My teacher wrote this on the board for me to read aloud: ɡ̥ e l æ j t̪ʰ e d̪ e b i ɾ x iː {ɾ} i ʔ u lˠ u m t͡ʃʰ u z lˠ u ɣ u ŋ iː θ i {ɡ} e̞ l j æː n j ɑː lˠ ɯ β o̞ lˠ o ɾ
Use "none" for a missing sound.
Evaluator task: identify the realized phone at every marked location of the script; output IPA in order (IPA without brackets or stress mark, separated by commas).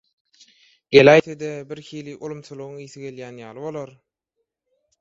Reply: l, ɡ